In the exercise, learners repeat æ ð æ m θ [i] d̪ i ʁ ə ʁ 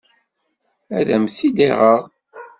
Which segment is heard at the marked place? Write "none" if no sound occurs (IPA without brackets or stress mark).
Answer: i